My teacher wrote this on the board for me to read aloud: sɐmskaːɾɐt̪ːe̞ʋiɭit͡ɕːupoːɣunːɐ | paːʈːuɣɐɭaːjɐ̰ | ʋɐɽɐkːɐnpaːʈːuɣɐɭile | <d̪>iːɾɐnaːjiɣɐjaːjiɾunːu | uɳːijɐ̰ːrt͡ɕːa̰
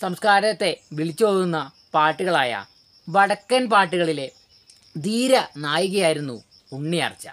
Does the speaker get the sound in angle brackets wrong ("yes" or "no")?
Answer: no